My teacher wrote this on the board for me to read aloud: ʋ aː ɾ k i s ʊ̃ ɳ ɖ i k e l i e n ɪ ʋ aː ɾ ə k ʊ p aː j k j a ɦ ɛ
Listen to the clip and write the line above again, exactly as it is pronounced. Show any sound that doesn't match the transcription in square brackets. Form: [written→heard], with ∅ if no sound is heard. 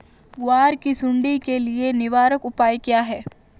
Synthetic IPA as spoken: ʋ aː ɾ k i s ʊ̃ ɳ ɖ i k e l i e n ɪ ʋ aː ɾ ə k ʊ p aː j k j a ɦ [ɛ→ɛː]